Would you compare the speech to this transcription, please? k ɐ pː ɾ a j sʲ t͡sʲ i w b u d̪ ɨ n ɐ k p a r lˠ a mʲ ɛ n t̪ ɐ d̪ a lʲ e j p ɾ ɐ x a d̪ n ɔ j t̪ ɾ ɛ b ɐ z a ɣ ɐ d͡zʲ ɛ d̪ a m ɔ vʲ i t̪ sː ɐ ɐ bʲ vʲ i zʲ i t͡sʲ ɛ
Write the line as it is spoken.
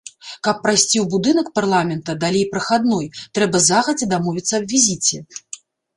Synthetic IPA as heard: k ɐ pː ɾ a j sʲ t͡sʲ i w b u d̪ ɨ n ɐ k p a r lˠ a mʲ ɛ n t̪ ɐ d̪ a lʲ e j p ɾ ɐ x a d̪ n ɔ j t̪ ɾ ɛ b ɐ z a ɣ ɐ d͡zʲ ɛ d̪ a m ɔ vʲ i t̪ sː ɐ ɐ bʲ vʲ i zʲ i t͡sʲ ɛ